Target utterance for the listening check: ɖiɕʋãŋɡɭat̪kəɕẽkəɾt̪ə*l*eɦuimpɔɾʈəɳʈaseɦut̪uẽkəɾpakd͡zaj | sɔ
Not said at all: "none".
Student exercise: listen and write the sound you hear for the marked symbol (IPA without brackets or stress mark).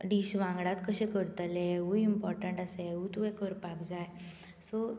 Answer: l